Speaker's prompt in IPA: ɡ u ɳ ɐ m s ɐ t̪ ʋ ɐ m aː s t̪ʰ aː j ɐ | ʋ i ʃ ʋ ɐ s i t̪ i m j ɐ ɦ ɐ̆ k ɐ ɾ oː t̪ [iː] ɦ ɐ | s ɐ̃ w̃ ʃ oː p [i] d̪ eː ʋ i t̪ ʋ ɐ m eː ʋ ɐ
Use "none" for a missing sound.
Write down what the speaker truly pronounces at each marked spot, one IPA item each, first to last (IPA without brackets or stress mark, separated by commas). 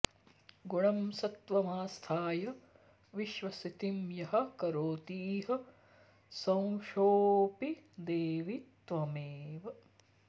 iː, i